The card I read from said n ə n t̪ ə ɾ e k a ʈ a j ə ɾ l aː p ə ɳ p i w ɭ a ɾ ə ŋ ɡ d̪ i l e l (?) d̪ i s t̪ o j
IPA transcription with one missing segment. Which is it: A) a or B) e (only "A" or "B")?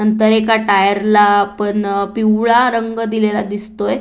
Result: A